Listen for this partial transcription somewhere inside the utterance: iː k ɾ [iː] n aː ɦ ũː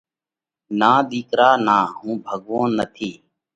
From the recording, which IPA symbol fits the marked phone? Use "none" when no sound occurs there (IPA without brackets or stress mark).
aː